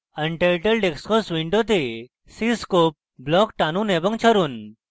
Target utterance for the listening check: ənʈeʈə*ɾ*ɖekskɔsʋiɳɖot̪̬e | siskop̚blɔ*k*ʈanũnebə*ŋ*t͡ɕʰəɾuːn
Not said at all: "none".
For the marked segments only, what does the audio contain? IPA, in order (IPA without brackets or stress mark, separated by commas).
l, k, ŋ